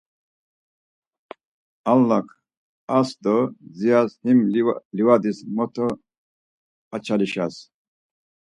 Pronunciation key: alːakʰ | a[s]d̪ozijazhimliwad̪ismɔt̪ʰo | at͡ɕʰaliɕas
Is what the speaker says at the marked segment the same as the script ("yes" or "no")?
yes